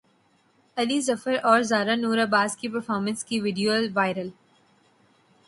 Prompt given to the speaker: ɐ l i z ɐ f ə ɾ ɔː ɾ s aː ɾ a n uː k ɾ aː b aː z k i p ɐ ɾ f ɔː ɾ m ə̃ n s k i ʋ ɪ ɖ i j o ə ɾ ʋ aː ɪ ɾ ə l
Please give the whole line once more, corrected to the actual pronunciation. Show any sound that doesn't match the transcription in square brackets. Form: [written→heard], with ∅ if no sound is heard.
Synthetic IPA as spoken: ɐ l i z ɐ f ə ɾ ɔː ɾ [s→z] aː ɾ a n uː [k→∅] ɾ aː b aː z k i p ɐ ɾ f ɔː ɾ m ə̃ n s k i ʋ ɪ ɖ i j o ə [ɾ→l] ʋ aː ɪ ɾ ə l